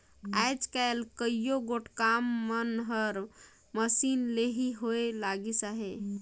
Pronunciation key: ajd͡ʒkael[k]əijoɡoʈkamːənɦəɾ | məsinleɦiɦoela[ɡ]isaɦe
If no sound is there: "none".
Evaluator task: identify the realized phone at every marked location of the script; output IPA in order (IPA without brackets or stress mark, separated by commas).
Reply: k, ɡ